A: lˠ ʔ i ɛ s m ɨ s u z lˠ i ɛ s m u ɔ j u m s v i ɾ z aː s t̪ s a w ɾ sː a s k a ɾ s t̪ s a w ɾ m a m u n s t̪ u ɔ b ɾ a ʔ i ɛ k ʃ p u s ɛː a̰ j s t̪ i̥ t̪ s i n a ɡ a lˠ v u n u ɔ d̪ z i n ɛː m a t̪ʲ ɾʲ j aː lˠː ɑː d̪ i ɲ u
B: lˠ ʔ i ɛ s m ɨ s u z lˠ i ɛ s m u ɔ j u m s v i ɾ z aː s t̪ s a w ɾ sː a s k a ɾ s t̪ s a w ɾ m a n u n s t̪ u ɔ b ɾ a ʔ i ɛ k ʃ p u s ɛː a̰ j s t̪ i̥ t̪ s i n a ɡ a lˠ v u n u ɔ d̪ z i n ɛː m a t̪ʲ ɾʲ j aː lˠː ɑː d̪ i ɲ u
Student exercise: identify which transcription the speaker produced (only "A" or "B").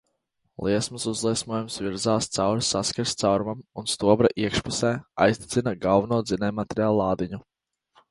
A